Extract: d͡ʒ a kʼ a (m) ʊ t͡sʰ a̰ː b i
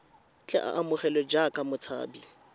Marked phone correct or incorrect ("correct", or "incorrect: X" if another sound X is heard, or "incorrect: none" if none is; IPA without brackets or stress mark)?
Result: correct